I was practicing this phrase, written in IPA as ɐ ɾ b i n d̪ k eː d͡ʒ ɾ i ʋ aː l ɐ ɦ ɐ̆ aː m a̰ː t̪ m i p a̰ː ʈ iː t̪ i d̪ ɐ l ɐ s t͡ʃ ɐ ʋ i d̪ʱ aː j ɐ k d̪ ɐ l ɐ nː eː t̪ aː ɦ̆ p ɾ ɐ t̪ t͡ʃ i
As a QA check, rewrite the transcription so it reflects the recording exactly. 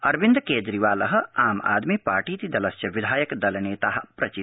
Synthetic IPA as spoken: ɐ ɾ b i n d̪ k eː d͡ʒ ɾ i ʋ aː l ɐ ɦ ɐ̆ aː m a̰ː d̪ m i p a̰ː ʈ iː t̪ i d̪ ɐ l ɐ s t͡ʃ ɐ ʋ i d̪ʱ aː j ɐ k d̪ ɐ l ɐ n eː t̪ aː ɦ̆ p ɾ ɐ t͡ʃ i